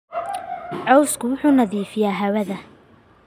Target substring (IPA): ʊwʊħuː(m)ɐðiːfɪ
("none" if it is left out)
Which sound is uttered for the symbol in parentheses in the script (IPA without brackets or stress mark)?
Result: n